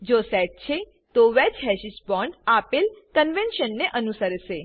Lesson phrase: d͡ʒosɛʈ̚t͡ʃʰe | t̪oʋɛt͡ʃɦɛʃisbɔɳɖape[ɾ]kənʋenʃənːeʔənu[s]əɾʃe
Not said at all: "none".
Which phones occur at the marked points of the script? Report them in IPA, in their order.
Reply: l, s

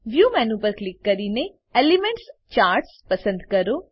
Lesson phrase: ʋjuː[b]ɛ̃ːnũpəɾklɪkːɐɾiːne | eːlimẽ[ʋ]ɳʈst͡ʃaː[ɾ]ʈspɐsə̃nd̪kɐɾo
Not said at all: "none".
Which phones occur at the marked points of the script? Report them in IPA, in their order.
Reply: m, none, ɾ

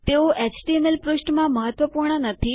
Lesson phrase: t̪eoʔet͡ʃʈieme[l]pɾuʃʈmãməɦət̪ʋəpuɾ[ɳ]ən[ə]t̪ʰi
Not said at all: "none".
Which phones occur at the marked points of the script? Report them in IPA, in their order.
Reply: l, ɳ, ə

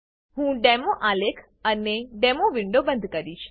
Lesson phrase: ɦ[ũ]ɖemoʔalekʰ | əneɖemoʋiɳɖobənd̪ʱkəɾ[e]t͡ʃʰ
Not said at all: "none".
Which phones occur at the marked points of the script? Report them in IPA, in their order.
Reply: ũ, i

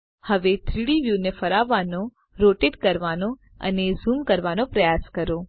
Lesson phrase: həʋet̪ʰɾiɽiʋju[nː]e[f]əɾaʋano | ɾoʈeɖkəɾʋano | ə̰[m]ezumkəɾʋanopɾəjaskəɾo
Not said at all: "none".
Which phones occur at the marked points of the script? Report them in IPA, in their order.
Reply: n, f, n

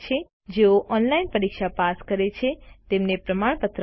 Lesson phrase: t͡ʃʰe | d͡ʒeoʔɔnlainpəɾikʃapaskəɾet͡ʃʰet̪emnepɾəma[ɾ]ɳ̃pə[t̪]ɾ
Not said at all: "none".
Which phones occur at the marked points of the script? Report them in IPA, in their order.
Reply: none, t̪

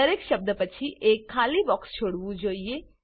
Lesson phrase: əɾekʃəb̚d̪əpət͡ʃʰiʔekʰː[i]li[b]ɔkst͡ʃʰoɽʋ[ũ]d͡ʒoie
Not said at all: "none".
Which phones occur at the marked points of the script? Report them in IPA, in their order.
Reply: a, b, ũ

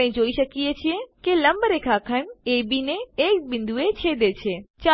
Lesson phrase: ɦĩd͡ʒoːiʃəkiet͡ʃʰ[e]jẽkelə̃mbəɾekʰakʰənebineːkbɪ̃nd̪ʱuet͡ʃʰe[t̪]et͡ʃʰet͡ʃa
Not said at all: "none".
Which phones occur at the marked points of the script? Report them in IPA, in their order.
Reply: i, d̪

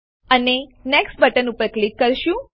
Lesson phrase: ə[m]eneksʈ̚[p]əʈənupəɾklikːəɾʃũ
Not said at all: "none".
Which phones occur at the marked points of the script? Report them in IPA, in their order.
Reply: n, b

